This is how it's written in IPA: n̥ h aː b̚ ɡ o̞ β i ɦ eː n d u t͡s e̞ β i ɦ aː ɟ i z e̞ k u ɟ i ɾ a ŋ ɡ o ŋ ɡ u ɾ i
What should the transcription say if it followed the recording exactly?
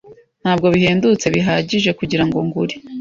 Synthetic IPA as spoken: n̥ h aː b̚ ɡ o̞ β i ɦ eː n d u t͡s e̞ β i ɦ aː ɟ i ʒ e̞ k u ɟ i ɾ a ŋ ɡ o ŋ ɡ u ɾ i

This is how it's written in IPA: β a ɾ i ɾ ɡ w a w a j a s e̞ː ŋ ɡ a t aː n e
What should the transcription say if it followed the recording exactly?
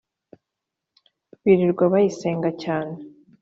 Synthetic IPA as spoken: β i ɾ i ɾ ɡ w a β a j i s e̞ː ŋ ɡ a c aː n e

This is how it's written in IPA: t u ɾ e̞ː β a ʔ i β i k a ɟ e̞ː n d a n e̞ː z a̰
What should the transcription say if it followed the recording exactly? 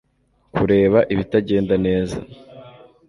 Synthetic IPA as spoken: k u ɾ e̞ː β a ʔ i β i t a ɟ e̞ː n d a n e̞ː z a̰

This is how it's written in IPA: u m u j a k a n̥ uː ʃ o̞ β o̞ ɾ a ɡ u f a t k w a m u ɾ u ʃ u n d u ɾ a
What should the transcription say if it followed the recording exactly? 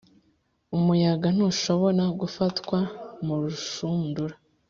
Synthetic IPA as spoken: u m u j a ɡ a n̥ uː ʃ o̞ β o̞ ɾ a ɡ u f a t k w a m u ɾ u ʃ u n d u ɾ a

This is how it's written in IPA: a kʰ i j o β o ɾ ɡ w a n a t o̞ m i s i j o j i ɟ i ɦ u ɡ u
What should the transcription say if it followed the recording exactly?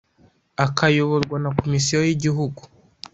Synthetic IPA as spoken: a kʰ a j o β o ɾ ɡ w a n a k o̞ m i s i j o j i ɟ i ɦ u ɡ u

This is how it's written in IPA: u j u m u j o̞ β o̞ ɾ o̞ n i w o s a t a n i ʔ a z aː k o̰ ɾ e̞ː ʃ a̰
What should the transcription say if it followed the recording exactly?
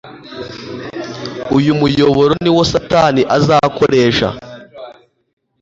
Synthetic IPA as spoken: u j u m u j o̞ β o̞ ɾ o̞ n i w o s a t a n i ʔ a z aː k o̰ ɾ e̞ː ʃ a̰

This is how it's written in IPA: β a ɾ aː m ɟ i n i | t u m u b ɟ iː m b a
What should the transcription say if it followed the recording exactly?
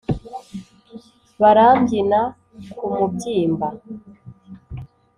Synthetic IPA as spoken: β a ɾ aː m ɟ i n a | k u m u b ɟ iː m b a

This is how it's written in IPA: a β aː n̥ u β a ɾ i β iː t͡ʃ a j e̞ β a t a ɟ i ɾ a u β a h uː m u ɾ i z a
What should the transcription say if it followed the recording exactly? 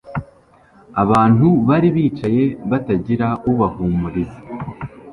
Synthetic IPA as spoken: a β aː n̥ u β a ɾ i β iː t͡ʃ a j e̞ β a t a ɟ i ɾ a u β a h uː m u ɾ i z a

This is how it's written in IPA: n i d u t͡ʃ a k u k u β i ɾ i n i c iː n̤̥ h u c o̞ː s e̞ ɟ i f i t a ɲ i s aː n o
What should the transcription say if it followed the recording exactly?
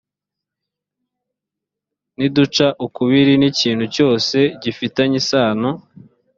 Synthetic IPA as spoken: n i d u t͡ʃ a ʔ u k u β i ɾ i n i c iː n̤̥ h u c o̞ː s e̞ ɟ i f i t a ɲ i s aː n o

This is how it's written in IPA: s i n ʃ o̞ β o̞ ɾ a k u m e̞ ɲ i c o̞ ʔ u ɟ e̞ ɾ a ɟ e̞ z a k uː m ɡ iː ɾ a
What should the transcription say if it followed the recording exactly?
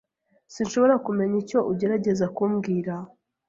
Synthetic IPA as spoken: s i n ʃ o̞ β o̞ ɾ a k u m e̞ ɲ i c o̞ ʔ u ɟ e̞ ɾ a ɟ e̞ z a k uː m ɡ iː ɾ a

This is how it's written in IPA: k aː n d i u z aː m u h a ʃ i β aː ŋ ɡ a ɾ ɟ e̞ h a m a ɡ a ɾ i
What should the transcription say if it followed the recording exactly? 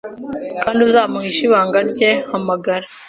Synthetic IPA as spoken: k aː n d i u z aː m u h i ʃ i β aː ŋ ɡ a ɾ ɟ e̞ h a m a ɡ a ɾ a

